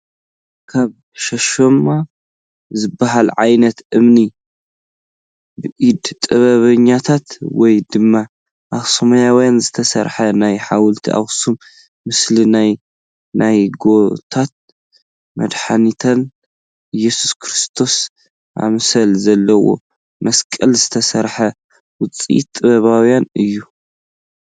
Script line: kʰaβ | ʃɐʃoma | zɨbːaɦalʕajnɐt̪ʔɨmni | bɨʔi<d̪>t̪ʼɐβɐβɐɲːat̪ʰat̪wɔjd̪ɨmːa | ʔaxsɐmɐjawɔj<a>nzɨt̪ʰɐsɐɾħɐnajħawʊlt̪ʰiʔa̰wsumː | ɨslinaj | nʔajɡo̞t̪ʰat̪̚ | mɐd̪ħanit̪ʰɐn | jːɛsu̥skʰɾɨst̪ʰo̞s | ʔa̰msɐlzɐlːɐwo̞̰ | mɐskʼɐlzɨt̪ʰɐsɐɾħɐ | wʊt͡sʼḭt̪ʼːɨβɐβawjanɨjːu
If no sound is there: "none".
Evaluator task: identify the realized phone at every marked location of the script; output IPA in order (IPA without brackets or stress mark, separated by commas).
d̪, a